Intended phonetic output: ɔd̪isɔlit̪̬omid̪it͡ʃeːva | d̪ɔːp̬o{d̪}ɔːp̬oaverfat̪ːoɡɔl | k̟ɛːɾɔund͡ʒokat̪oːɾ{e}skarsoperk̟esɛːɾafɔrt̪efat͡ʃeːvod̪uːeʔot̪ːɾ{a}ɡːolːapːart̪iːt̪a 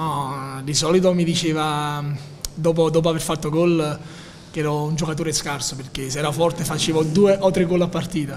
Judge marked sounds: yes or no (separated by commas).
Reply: yes, yes, no